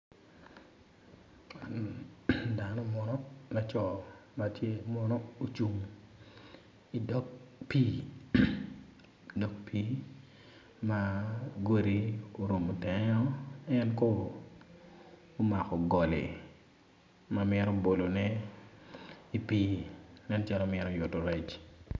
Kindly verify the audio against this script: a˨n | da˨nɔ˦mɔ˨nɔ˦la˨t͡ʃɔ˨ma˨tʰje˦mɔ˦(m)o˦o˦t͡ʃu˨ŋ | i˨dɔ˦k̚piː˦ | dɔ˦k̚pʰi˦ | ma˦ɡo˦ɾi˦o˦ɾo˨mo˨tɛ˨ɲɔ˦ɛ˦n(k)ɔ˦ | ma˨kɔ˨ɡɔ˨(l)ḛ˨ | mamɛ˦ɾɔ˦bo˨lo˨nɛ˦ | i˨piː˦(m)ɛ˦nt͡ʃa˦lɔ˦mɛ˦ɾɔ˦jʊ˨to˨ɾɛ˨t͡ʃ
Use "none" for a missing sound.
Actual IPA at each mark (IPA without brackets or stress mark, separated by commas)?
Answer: n, k, l, n